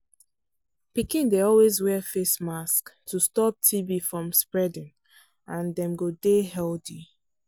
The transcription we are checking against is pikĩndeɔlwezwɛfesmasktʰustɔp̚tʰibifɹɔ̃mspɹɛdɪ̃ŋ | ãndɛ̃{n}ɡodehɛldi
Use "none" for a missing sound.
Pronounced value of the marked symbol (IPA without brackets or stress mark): m